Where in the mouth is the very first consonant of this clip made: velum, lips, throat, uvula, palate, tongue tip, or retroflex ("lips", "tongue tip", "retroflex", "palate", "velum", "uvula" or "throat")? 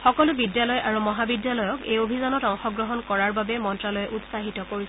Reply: velum